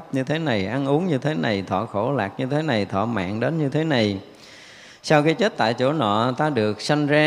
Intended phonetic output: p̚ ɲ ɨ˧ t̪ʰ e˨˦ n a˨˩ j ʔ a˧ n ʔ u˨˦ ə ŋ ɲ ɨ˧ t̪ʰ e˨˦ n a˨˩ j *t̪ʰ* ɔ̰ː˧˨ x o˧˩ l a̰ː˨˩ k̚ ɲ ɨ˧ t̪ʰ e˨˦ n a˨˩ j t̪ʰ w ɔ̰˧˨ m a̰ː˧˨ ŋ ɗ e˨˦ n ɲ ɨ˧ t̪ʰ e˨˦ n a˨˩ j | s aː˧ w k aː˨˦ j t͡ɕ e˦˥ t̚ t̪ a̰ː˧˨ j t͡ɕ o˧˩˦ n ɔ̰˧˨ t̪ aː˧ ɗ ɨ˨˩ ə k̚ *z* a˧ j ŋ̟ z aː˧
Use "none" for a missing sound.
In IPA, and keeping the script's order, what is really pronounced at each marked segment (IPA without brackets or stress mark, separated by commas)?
t̪ʰ, s